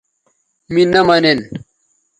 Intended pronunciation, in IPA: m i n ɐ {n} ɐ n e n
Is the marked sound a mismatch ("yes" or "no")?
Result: yes